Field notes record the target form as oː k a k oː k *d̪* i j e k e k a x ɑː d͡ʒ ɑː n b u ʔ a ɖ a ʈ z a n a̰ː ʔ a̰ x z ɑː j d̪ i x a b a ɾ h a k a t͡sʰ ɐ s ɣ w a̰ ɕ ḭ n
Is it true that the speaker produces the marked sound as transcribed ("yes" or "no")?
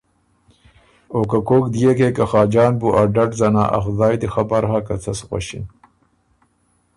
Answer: yes